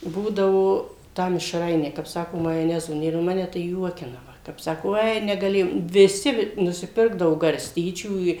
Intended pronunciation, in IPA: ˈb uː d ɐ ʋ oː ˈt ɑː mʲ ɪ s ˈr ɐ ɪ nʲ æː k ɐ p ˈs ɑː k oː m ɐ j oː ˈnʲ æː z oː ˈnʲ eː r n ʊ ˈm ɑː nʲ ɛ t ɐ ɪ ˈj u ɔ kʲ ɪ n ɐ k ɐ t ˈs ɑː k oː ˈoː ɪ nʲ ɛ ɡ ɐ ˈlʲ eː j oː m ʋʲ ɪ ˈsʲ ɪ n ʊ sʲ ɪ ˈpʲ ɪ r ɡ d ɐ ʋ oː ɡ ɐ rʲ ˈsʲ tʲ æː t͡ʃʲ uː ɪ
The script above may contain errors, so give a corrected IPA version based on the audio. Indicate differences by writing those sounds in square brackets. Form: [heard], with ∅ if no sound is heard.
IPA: ˈb uː d ɐ ʋ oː ˈt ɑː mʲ ɪ [ʃ] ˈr ɐ ɪ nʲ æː k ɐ p ˈs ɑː k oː m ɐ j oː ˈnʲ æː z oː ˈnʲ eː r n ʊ ˈm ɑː nʲ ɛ t ɐ ɪ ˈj u ɔ kʲ ɪ n ɐ k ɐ [p] ˈs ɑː k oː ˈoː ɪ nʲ ɛ ɡ ɐ ˈlʲ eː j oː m ʋʲ ɪ ˈsʲ ɪ n ʊ sʲ ɪ ˈpʲ ɪ r ɡ d ɐ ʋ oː ɡ ɐ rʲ ˈsʲ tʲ [iː] t͡ʃʲ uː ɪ